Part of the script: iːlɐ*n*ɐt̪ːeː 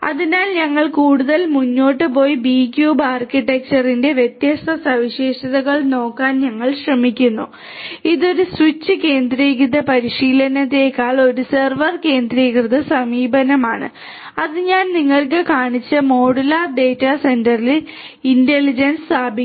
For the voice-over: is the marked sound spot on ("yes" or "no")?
yes